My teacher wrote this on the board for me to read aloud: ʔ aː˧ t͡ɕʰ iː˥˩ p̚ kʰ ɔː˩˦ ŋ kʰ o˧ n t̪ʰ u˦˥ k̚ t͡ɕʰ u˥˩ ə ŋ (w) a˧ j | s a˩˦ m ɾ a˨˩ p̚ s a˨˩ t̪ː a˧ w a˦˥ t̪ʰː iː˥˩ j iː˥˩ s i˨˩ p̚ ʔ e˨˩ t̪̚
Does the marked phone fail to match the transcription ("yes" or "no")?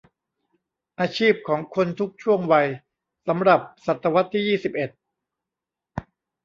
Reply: no